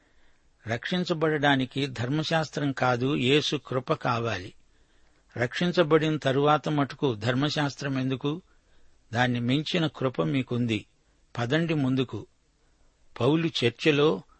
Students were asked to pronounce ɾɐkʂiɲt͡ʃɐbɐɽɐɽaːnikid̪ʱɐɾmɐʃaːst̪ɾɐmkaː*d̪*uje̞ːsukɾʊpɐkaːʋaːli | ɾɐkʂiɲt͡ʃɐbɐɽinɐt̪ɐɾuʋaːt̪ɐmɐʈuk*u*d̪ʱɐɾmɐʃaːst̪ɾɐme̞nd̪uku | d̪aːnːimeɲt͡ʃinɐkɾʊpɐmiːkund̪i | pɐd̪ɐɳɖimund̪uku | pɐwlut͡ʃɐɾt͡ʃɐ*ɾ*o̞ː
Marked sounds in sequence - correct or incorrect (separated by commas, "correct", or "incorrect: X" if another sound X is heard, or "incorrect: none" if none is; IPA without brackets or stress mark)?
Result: correct, correct, incorrect: l